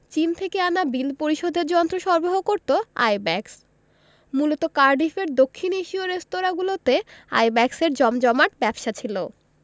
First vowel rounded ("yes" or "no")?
no